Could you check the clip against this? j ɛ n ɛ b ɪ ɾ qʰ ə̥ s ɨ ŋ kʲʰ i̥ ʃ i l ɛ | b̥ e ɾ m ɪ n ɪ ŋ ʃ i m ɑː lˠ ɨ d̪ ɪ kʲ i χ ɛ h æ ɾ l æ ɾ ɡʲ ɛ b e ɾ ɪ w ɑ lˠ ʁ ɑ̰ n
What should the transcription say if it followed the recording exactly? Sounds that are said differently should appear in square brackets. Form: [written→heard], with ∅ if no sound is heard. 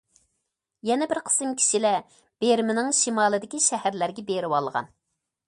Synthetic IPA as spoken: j ɛ n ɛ b ɪ ɾ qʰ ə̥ s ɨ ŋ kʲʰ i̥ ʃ i l ɛ | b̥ e ɾ m ɪ n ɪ ŋ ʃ i m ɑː lˠ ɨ d̪ ɪ kʲ i [χ→ʃ] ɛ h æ ɾ l æ ɾ ɡʲ ɛ b e ɾ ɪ w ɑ lˠ ʁ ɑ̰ n